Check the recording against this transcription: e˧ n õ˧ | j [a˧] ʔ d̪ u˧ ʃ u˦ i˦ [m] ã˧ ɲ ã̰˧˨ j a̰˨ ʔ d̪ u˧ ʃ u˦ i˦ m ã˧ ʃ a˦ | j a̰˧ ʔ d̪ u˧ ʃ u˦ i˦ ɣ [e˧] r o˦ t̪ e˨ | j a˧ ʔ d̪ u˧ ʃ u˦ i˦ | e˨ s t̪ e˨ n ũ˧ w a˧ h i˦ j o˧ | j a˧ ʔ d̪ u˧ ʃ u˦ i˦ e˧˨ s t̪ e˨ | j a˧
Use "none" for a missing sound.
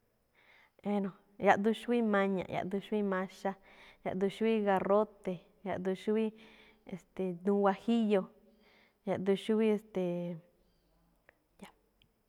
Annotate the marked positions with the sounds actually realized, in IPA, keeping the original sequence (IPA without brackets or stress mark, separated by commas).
a˧, m, a˧